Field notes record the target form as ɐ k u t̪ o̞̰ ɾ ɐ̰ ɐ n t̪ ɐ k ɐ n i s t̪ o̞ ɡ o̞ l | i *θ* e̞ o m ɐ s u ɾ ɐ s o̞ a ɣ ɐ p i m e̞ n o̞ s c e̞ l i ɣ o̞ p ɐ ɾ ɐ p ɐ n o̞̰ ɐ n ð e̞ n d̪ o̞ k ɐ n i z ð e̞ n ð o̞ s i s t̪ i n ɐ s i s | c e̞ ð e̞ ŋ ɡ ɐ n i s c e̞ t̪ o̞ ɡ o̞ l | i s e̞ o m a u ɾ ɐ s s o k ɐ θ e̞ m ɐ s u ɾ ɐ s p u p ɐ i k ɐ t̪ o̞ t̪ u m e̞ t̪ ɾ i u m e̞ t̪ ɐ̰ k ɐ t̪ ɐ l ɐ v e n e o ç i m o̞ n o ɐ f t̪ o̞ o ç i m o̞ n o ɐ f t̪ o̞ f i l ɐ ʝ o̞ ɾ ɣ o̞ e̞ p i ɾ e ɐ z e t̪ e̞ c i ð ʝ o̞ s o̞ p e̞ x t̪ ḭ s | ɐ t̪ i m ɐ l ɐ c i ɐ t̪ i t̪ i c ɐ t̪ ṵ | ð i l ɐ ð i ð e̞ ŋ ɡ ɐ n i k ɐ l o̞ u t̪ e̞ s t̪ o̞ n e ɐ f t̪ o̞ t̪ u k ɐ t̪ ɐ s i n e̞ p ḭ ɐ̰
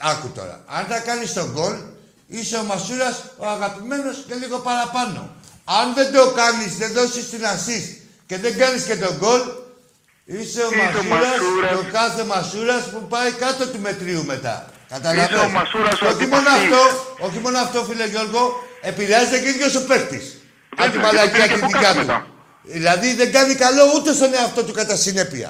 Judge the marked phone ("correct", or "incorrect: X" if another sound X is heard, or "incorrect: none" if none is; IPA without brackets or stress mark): incorrect: s